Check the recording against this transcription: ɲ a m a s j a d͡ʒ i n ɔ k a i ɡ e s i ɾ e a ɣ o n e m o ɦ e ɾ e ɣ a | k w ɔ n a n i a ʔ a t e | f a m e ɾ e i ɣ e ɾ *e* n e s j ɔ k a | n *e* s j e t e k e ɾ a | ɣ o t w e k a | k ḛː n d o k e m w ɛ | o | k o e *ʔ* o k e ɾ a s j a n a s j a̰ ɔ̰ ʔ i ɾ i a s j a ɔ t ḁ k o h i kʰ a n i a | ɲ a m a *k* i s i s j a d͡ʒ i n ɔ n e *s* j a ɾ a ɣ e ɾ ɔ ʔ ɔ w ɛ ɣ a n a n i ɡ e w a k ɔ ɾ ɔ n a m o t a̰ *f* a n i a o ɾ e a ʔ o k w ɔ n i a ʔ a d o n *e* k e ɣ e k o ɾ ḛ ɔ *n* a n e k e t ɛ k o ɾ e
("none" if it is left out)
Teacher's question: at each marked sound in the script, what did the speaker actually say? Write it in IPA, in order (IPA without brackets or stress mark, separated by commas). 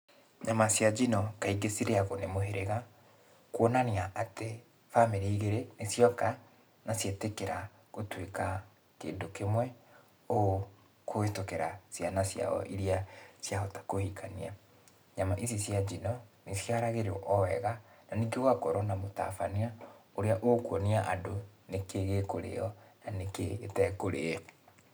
e, a, t, ʔ, s, f, e, n